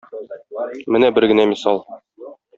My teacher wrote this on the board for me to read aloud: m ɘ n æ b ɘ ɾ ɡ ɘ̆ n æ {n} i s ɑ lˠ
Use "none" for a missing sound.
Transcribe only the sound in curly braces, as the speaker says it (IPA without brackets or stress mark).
m